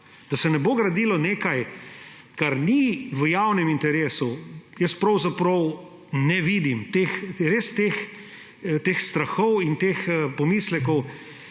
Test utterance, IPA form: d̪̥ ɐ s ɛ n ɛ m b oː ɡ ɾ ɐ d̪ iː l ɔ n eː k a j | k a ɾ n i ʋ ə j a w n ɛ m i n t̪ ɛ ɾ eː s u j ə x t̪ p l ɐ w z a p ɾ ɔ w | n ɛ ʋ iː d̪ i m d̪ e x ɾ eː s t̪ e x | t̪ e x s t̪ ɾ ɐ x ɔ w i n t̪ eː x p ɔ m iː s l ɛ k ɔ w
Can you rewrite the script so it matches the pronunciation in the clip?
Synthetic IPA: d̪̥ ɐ s ɛ n ɛ b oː ɡ ɾ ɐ d̪ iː l ɔ n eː k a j | k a ɾ n i ʋ ə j a w n ɛ m i n t̪ ɛ ɾ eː s u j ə s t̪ p ɾ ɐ w z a p ɾ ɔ w | n ɛ ʋ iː d̪ i m t̪ e x ɾ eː s t̪ e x | t̪ e x s t̪ ɾ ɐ x ɔ w i n t̪ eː x p ɔ m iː s l ɛ k ɔ w